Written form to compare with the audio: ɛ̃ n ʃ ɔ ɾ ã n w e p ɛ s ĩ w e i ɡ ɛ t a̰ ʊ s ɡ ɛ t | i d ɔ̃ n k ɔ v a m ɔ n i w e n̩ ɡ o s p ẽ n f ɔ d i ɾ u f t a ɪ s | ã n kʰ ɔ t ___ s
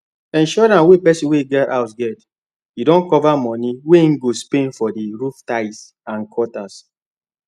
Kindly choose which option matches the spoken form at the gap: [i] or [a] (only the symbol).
a